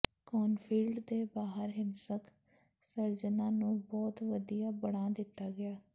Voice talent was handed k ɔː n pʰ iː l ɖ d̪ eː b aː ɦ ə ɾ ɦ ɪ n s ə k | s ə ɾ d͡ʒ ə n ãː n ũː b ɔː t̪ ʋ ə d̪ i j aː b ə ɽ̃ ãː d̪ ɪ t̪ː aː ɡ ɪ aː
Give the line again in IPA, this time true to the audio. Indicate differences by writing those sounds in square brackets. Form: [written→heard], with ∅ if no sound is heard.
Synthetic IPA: k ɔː n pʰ iː l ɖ d̪ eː b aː ɦ ə ɾ ɦ ɪ n s ə k | s ə ɾ d͡ʒ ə n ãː n ũː b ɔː t̪ ʋ ə d̪ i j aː b ə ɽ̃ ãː d̪ ɪ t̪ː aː ɡ ɪ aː